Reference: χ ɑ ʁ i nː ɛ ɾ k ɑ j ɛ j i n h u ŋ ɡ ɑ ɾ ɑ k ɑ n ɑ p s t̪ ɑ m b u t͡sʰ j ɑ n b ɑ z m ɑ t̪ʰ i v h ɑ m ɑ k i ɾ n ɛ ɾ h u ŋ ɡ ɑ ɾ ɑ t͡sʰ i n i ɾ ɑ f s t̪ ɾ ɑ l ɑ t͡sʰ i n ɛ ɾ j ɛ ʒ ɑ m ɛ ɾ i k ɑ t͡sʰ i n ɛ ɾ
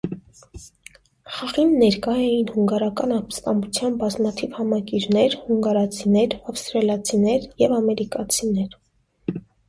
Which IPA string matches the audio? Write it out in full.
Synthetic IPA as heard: χ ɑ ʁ i nː ɛ ɾ k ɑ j ɛ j i n h u ŋ ɡ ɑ ɾ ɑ k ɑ n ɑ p s t̪ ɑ m b u t͡sʰ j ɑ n b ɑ z m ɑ t̪ʰ i v h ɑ m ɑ k i ɾ n ɛ ɾ h u ŋ ɡ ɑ ɾ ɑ t͡sʰ i n ɛ ɾ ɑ f s t̪ ɾ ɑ l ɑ t͡sʰ i n ɛ ɾ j ɛ v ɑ m ɛ ɾ i k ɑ t͡sʰ i n ɛ ɾ